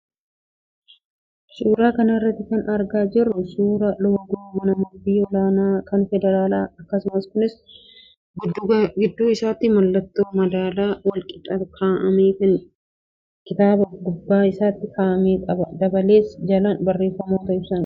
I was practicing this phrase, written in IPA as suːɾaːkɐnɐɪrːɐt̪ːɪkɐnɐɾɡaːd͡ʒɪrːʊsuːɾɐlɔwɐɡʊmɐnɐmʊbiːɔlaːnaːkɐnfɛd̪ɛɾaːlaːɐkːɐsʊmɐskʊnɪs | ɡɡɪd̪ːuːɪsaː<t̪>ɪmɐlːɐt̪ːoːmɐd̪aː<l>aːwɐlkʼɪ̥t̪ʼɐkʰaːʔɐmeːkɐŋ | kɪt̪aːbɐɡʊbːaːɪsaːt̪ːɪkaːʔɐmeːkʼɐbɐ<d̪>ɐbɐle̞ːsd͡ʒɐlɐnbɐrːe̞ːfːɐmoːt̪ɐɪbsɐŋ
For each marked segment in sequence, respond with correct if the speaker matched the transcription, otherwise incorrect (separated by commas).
correct, correct, correct